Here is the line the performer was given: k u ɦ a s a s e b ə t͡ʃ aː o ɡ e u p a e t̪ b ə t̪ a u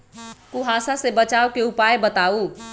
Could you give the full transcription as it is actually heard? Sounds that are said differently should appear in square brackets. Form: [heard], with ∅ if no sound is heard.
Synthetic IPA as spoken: k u ɦ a s a s e b ə t͡ʃ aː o [k] e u p a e [∅] b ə t̪ a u